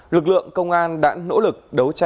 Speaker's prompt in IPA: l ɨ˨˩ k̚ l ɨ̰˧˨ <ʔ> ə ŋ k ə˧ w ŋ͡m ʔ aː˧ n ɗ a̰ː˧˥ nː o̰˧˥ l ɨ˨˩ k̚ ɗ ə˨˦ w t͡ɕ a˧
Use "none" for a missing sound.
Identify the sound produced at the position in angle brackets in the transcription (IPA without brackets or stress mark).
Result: none